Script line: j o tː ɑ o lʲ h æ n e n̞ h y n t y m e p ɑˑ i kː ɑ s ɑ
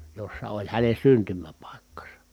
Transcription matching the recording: j o sː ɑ o lʲ h æ n e n̞ s y n t y m æ p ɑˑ i kː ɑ s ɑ